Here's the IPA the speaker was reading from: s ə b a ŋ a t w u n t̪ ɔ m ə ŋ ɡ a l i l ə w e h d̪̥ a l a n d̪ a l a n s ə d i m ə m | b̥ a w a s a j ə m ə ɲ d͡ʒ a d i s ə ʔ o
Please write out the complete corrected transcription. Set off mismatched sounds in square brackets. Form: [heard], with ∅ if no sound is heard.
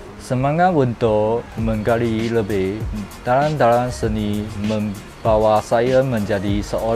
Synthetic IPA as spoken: s ə [m] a ŋ a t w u n t̪ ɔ m ə ŋ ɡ a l i l ə [b] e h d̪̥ a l a n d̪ a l a n s ə [n] i m ə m | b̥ a w a s a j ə m ə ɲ d͡ʒ a d i s ə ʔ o